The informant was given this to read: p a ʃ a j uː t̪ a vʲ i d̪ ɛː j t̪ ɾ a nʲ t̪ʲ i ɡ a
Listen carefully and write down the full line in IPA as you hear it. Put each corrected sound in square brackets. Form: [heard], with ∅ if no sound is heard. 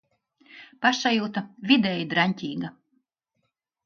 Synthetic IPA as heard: p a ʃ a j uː t̪ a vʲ i d̪ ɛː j [d̪] ɾ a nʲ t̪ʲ [iː] ɡ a